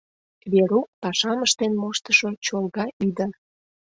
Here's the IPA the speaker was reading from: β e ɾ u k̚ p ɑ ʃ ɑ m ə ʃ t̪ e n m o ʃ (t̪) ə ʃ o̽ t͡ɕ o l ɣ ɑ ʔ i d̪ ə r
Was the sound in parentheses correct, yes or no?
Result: yes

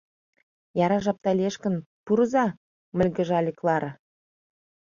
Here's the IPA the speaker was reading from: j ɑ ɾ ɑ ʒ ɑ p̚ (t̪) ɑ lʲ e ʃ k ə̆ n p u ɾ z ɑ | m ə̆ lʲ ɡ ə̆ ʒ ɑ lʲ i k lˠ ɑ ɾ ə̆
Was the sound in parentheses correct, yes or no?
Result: yes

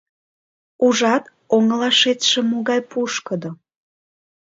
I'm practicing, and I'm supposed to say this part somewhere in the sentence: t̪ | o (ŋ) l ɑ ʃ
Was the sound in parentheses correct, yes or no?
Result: yes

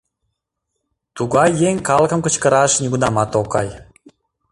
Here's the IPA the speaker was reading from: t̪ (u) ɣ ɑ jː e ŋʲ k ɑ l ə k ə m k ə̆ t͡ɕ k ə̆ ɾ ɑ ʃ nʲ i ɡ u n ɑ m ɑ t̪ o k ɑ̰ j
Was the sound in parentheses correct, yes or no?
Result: yes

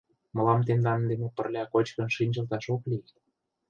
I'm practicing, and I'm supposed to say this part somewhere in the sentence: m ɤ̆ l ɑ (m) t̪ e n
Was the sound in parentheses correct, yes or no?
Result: yes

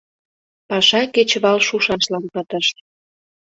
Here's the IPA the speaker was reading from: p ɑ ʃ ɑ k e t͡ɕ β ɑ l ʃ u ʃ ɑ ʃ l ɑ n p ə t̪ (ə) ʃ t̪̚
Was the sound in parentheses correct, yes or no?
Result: yes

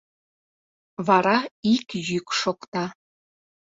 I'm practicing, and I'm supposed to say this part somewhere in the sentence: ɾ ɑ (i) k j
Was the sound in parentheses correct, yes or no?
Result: yes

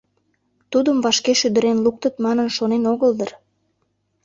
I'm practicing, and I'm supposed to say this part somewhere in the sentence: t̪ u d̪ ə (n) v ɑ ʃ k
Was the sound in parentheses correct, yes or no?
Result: no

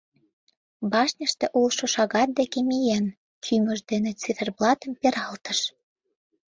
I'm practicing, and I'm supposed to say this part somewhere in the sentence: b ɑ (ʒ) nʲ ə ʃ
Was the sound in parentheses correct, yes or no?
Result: no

